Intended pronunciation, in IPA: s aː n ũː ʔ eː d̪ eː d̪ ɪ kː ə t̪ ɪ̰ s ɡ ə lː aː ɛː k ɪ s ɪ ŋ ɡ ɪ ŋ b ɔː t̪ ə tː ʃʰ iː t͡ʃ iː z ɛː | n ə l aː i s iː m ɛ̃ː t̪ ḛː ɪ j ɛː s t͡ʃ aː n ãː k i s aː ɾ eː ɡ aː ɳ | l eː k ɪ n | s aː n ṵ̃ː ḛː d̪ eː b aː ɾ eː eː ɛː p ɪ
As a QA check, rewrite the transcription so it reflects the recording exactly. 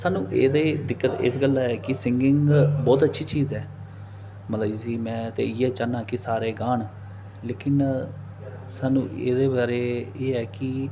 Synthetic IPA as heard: s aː n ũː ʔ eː d̪ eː d̪ ɪ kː ə t̪ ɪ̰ s ɡ ə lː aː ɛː k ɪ s ɪ ŋ ɡ ɪ ŋ b ɔː t̪ ə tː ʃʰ iː t͡ʃ iː z ɛː | m ə l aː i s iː m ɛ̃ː t̪ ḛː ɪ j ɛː t͡ʃ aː n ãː k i s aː ɾ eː ɡ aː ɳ | l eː k ɪ n | s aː n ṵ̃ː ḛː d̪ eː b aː ɾ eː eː ɛː k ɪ